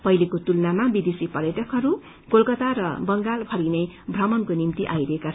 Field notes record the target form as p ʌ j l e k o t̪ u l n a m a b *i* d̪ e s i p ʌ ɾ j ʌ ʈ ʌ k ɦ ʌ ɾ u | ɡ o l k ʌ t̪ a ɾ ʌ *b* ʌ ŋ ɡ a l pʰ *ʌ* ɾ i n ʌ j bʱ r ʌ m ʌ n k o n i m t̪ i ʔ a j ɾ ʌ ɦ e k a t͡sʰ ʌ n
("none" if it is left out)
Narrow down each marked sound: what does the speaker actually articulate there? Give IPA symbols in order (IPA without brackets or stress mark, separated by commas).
i, b, ʌ